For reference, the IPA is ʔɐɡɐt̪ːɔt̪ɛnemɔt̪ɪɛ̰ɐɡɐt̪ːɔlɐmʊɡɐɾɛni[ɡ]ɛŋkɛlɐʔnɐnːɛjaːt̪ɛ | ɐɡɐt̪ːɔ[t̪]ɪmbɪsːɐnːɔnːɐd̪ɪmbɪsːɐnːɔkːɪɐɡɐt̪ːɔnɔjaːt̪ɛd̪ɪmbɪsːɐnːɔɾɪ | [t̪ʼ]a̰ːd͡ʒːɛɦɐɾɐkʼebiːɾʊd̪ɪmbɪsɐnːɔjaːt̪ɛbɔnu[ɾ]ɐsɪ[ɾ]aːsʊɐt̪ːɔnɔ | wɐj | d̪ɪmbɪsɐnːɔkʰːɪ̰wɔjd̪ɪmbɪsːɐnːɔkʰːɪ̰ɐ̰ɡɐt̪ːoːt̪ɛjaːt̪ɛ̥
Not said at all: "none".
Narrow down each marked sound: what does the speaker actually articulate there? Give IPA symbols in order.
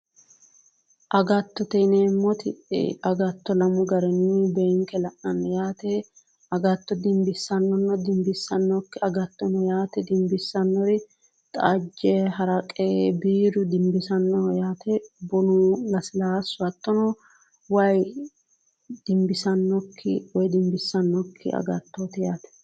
b, d̪, t̪ʼ, l, l

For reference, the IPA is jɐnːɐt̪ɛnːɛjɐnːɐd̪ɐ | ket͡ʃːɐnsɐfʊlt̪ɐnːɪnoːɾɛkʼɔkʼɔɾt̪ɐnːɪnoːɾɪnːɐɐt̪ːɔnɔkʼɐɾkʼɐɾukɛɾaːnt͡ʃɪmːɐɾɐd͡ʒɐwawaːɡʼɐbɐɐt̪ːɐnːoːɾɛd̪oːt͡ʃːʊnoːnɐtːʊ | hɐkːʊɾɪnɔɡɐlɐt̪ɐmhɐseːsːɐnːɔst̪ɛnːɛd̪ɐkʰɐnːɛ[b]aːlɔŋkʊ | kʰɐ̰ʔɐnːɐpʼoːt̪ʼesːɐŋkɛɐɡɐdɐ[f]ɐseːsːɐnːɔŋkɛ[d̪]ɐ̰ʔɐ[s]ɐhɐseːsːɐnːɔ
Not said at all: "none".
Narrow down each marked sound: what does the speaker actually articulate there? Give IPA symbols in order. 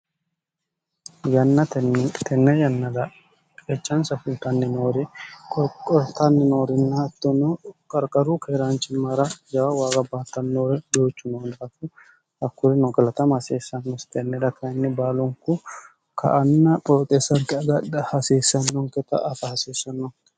b, h, t̪, f

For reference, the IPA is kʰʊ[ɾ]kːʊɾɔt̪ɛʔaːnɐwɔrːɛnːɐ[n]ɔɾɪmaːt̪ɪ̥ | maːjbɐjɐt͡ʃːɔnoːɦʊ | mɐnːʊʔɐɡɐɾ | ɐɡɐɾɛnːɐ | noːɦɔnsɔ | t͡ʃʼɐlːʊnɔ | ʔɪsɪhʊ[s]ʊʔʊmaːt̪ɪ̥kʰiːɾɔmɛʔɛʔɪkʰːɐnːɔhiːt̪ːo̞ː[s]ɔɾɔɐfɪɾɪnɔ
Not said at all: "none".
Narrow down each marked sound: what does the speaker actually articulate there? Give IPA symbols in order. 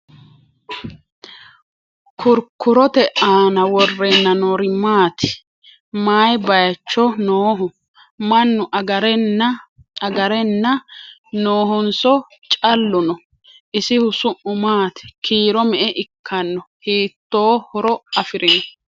ɾ, n, s, h

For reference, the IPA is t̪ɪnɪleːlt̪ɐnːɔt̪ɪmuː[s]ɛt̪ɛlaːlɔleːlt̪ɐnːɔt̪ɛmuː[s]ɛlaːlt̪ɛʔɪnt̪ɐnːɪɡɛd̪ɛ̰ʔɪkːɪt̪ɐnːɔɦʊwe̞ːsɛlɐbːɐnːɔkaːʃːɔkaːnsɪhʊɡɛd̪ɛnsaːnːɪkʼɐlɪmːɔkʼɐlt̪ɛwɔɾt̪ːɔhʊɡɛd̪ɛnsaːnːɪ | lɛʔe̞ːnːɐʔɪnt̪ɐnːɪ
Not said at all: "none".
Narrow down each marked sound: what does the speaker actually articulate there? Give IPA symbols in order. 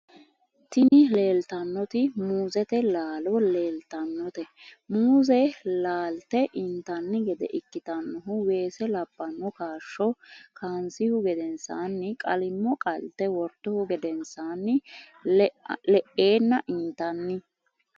z, z

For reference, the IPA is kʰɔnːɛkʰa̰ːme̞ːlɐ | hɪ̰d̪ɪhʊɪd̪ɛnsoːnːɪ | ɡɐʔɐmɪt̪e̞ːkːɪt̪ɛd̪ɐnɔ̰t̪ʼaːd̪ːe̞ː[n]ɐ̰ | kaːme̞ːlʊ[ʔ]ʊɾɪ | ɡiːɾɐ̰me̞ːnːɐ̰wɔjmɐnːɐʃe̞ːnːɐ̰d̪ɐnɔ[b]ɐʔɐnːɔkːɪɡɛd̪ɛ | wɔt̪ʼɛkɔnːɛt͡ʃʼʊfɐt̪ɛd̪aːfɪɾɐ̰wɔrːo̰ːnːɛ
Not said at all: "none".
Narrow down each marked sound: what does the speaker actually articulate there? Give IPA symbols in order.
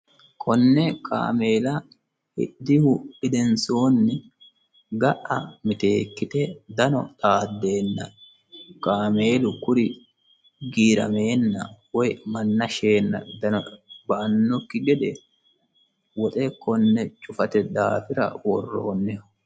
nː, k, b

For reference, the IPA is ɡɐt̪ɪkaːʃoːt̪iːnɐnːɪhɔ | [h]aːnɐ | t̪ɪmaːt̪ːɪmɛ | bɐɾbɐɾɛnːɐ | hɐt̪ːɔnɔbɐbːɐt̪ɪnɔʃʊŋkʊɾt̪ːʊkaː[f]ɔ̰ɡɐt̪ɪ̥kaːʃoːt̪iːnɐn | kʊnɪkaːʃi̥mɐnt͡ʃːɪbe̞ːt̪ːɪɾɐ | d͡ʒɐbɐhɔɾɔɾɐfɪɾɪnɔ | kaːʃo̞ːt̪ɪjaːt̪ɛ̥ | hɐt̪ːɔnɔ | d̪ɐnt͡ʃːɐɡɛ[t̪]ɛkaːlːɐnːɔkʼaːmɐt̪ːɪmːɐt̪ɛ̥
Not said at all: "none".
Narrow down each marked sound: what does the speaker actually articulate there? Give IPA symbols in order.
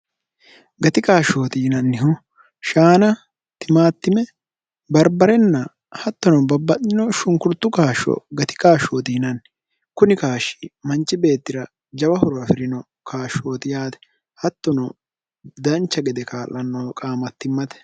ʃ, ʃ, d̪

